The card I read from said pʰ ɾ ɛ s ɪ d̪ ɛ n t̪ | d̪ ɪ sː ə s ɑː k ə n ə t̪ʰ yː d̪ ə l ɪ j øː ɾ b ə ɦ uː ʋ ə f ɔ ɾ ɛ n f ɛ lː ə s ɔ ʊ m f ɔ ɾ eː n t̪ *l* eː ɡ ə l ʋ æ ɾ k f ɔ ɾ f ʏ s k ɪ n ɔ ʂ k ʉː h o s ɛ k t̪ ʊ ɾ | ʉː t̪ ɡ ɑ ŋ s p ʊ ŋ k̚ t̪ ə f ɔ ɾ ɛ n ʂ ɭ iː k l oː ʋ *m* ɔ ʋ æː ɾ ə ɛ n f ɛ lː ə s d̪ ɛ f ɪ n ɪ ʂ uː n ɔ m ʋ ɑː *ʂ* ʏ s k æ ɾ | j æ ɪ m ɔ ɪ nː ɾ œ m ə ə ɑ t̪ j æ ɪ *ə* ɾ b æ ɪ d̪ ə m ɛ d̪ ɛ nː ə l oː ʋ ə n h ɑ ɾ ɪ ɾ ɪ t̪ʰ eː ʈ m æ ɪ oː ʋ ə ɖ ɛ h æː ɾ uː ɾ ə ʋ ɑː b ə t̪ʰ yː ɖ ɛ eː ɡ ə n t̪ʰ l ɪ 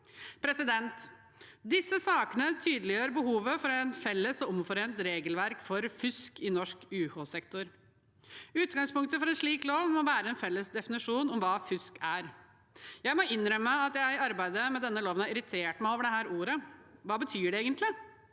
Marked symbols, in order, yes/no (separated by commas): no, yes, no, no